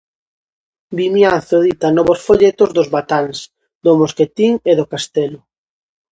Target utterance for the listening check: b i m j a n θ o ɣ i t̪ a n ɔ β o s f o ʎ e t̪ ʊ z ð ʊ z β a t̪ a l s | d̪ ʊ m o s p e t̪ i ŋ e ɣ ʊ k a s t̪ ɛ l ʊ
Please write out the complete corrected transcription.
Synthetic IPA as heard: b i m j a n θ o ð i t̪ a n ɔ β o s f o ʎ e t̪ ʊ z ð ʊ z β a t̪ a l s | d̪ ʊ m o s k e t̪ i ŋ e ð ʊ k a s t̪ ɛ l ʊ